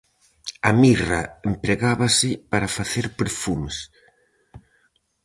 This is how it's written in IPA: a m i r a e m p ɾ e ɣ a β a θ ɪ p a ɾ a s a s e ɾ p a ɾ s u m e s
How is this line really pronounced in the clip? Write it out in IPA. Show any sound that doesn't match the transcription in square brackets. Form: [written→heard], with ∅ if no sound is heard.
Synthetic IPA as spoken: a m i r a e m p ɾ e ɣ a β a [θ→s] ɪ p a ɾ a [s→f] a [s→θ] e ɾ p [a→e] ɾ [s→f] u m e s